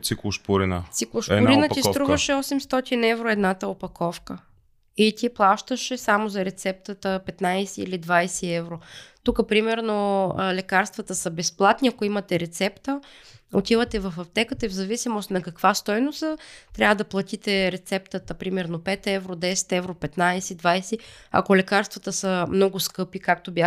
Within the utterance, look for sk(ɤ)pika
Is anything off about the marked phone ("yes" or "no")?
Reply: no